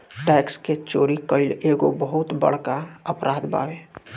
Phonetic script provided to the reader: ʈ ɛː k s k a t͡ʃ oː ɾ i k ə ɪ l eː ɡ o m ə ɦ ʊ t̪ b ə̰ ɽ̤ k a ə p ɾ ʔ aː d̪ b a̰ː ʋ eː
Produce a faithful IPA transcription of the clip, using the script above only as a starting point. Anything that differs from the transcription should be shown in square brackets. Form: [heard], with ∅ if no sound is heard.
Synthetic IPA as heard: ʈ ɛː k s k [e] t͡ʃ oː ɾ i k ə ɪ l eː ɡ o [b] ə ɦ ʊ t̪ b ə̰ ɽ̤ k a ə p ɾ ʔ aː d̪ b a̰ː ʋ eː